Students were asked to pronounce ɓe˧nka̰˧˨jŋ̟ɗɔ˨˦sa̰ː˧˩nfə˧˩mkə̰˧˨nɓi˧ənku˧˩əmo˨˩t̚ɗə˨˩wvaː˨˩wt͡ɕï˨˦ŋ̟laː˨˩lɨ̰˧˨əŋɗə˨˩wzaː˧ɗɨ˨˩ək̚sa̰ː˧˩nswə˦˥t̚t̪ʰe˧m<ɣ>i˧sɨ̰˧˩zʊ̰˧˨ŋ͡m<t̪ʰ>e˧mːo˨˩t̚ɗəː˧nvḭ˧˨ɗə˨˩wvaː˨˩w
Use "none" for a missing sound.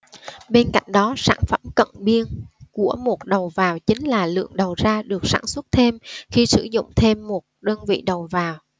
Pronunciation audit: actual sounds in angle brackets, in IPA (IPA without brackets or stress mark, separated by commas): x, t̪ʰ